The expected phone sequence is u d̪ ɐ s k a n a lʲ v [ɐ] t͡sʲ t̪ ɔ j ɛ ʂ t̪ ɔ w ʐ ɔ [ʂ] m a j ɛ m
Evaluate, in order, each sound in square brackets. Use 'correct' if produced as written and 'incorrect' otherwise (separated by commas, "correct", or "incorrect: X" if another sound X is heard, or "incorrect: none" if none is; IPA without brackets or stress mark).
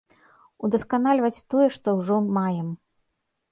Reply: correct, incorrect: none